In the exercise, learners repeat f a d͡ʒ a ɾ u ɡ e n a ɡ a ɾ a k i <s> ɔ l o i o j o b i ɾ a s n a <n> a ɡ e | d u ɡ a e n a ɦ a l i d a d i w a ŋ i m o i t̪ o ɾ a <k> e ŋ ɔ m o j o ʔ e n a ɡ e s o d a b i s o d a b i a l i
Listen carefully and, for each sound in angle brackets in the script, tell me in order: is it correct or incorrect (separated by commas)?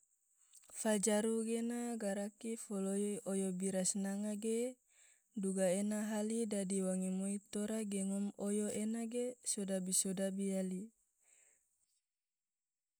incorrect, incorrect, incorrect